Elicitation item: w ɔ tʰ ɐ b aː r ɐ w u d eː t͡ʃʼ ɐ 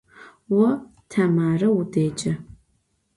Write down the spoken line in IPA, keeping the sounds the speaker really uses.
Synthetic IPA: w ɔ tʰ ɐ m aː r ɐ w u d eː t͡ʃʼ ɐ

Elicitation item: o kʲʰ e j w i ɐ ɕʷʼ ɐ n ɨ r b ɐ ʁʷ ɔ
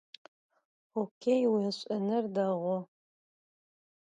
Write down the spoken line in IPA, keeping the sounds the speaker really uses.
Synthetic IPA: o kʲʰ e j w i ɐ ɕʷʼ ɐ n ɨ r d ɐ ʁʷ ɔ

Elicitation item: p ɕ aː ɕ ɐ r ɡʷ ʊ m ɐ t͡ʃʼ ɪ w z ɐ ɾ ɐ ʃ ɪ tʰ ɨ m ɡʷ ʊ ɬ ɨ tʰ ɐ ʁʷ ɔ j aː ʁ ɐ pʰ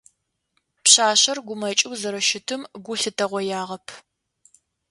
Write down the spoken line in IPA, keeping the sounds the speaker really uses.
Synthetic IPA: p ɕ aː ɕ ɐ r ɡʷ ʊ m ɐ t͡ʃʼ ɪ w z ɐ ɾ ɐ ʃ ɪ tʰ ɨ m ɡʷ ʊ ɬ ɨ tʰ ɐ ʁʷ ɔ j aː ʁ ɐ pʰ

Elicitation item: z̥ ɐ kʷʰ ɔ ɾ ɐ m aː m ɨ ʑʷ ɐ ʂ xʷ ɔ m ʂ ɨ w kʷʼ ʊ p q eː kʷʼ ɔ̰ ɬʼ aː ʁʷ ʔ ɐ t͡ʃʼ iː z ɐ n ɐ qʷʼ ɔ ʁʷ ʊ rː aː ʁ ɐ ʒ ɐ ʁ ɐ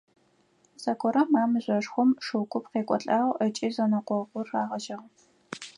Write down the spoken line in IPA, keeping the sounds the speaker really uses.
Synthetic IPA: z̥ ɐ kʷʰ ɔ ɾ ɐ m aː m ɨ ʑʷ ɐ ʂ xʷ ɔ m ʂ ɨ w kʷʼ ʊ p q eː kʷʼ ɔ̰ ɬʼ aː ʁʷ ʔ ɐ t͡ʃʼ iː z ɐ n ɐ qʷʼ ɔ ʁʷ ʊ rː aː ʁ ɐ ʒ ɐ ʁ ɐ

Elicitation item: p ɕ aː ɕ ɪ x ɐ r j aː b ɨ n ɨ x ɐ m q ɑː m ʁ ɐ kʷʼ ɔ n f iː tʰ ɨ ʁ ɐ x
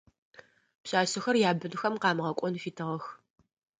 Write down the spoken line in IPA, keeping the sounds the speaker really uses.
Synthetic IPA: p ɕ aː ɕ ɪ x ɐ r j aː b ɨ n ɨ x ɐ m q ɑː m ʁ ɐ kʷʼ ɔ n f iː tʰ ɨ ʁ ɐ x

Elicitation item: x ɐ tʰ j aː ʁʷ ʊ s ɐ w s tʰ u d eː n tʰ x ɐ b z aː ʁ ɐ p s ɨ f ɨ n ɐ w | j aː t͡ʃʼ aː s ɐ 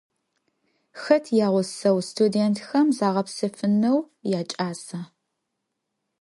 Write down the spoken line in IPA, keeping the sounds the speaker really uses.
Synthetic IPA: x ɐ tʰ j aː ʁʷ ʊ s ɐ w s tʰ u d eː n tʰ x ɐ m z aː ʁ ɐ p s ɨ f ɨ n ɐ w | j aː t͡ʃʼ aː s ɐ

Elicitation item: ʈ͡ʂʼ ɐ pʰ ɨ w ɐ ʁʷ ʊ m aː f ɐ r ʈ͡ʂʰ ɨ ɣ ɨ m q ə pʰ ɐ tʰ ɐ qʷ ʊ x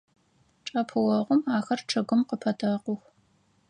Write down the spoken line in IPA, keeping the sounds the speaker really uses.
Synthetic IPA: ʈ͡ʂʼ ɐ pʰ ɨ w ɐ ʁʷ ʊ m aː x ɐ r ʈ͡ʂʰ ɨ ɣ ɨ m q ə pʰ ɐ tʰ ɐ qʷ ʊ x

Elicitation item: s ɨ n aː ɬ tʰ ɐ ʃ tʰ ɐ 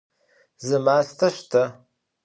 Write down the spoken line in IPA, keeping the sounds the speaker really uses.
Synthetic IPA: z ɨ m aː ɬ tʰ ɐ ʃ tʰ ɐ

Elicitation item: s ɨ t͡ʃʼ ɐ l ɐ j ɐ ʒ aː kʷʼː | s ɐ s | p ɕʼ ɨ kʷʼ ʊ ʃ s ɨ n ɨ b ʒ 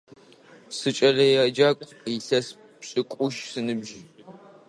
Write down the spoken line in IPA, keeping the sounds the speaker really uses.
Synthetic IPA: s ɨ t͡ʃʼ ɐ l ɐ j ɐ d͡ʒ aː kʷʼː | s ɐ s | p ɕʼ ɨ kʷʼ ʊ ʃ s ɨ n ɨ b ʒ

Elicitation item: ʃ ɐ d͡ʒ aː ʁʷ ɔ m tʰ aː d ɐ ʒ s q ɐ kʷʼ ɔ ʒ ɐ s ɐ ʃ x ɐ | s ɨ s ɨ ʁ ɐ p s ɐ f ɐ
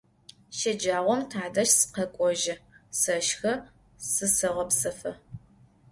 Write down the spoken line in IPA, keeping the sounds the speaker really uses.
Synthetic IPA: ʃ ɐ d͡ʒ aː ʁʷ ɔ m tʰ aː d ɐ ʃ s q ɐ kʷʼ ɔ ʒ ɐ s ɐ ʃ x ɐ | s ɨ s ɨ ʁ ɐ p s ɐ f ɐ

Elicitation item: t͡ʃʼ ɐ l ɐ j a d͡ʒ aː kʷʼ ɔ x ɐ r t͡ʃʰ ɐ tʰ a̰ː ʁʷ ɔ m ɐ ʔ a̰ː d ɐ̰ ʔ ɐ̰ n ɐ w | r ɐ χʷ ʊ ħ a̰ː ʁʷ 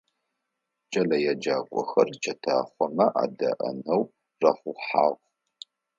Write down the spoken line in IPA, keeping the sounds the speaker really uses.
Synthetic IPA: t͡ʃʼ ɐ l ɐ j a d͡ʒ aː kʷʼ ɔ x ɐ r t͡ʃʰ ɐ tʰ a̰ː χʷ ɔ m ɐ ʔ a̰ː d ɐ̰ ʔ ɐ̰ n ɐ w | r ɐ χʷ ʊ ħ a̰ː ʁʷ

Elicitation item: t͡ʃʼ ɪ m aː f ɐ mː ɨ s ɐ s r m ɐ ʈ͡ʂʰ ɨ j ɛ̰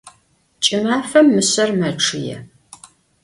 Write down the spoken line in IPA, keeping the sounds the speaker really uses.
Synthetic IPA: t͡ʃʼ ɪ m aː f ɐ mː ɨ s ɐ r m ɐ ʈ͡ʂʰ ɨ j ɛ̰

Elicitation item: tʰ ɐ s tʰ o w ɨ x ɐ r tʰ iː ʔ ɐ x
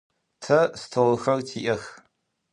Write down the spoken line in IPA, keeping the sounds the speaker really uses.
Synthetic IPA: tʰ ɐ s tʰ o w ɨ x ɐ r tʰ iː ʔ ɐ x

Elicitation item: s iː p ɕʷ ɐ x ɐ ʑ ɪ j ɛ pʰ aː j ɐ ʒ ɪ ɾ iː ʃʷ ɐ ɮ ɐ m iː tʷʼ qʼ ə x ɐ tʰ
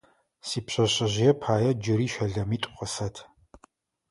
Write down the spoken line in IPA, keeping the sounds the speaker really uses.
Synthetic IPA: s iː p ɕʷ ɐ ɕ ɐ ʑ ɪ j ɛ pʰ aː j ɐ d͡ʒ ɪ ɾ iː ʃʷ ɐ ɮ ɐ m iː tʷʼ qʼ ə s ɐ tʰ

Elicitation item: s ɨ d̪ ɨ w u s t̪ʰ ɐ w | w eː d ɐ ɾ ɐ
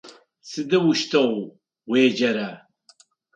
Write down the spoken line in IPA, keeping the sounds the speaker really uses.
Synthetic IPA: s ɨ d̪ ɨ w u ʃ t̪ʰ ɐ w | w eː d͡ʒ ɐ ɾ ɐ

